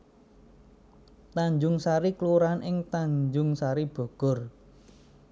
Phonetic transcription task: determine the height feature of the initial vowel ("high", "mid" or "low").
low